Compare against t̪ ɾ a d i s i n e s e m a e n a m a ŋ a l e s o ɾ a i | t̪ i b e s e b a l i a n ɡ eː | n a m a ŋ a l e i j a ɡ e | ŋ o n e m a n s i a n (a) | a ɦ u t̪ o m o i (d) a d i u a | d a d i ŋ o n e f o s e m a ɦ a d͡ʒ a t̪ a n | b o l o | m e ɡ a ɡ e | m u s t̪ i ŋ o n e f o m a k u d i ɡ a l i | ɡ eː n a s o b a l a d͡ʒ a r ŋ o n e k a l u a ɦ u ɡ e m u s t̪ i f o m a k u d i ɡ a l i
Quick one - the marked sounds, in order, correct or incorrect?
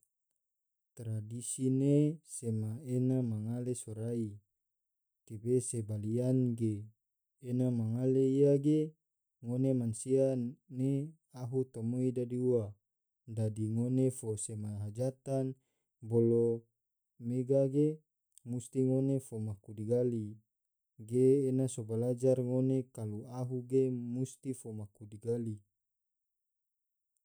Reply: incorrect: e, correct

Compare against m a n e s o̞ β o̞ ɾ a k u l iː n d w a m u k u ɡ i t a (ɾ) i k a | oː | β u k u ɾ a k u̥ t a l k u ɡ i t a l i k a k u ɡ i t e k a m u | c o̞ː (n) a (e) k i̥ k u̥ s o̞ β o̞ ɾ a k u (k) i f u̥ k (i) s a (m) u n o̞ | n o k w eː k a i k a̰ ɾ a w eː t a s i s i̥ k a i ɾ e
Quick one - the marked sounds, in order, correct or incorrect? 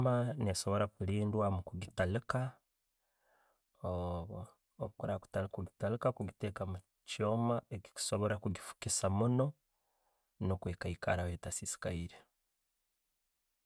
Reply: incorrect: l, incorrect: m, correct, incorrect: ɡ, correct, correct

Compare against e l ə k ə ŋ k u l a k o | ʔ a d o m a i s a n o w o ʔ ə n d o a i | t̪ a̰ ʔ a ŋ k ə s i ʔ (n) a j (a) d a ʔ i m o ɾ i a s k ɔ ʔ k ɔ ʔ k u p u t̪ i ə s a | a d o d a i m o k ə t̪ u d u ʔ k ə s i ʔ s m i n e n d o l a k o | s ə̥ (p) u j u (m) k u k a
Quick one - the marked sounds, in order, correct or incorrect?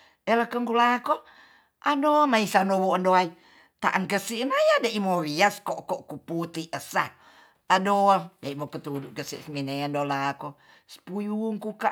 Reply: correct, correct, correct, incorrect: ŋ

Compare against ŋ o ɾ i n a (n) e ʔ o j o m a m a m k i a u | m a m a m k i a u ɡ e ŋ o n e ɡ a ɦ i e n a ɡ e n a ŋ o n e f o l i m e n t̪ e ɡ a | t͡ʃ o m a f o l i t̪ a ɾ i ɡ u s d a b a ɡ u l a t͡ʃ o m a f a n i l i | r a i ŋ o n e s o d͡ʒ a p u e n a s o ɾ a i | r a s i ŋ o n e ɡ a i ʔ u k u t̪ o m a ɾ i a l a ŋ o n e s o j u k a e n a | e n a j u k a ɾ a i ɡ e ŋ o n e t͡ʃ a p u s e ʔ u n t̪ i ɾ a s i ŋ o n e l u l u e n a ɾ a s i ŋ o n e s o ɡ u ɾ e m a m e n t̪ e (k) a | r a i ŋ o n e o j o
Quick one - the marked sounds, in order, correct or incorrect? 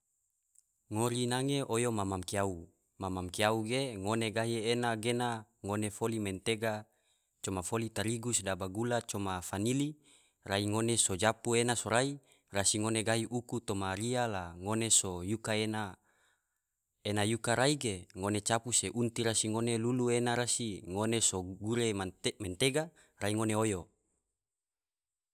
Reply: incorrect: ŋ, incorrect: ɡ

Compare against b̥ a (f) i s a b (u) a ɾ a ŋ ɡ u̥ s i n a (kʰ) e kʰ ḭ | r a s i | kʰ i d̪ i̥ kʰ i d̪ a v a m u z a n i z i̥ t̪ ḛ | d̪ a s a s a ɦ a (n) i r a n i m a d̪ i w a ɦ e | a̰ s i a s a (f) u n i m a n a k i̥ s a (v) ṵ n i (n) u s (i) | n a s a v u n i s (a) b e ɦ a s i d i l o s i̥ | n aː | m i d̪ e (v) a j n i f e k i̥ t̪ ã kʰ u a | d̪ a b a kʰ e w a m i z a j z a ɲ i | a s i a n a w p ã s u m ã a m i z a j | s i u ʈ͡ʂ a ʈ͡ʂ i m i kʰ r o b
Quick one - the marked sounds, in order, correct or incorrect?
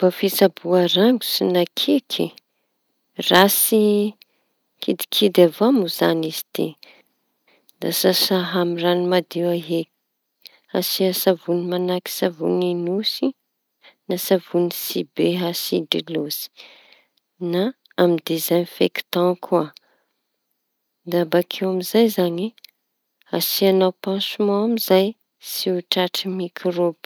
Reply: correct, correct, correct, incorrect: m, incorrect: v, correct, correct, correct, incorrect: i, incorrect: z

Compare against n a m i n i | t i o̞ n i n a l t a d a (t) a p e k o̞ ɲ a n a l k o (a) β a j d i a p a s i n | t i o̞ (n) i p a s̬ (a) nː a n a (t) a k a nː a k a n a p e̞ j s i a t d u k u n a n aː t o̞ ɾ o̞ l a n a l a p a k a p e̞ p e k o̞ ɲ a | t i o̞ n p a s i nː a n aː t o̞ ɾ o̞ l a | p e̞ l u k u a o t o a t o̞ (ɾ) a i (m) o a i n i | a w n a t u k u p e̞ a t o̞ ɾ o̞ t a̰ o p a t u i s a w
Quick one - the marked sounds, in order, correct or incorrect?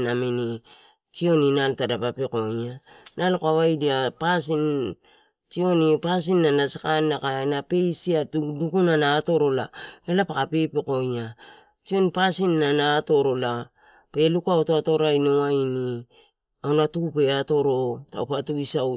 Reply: incorrect: p, correct, correct, incorrect: i, incorrect: s, correct, incorrect: n

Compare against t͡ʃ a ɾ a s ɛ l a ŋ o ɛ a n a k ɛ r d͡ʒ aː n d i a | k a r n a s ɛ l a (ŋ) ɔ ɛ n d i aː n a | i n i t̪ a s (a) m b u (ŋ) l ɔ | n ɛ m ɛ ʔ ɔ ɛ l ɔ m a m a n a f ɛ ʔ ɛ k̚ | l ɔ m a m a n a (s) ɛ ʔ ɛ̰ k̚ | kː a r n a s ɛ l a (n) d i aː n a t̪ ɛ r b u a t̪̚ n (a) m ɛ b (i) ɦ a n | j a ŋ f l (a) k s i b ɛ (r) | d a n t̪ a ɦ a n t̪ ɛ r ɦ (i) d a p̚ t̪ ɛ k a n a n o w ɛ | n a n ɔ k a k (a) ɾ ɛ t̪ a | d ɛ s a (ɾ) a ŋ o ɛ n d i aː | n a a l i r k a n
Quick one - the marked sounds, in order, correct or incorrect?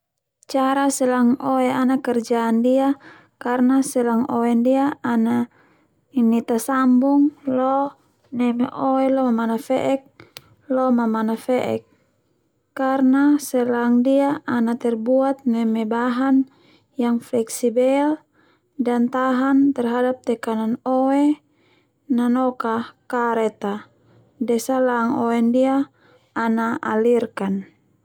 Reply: correct, correct, correct, incorrect: f, incorrect: ŋ, incorrect: ɛ, incorrect: a, incorrect: ɛ, incorrect: l, incorrect: a, correct, incorrect: l

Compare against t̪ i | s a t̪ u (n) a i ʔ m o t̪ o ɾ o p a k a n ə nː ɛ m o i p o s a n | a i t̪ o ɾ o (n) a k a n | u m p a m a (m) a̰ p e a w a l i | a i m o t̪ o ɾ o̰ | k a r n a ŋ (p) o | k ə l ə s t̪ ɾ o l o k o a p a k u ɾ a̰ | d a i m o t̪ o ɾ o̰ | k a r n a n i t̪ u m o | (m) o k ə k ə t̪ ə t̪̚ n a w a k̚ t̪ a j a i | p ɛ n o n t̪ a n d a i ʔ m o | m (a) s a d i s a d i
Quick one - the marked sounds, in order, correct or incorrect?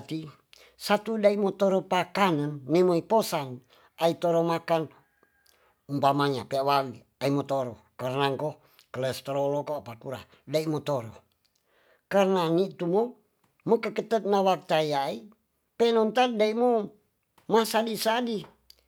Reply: incorrect: d, incorrect: m, incorrect: ɲ, incorrect: k, correct, correct

